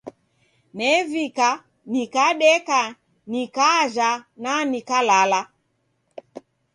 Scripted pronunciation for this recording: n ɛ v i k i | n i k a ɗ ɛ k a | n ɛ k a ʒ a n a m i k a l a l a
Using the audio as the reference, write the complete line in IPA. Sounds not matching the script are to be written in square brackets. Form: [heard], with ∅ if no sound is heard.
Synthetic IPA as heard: n ɛ v i k [a] | n i k a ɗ ɛ k a | n [i] k a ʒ a n a [n] i k a l a l a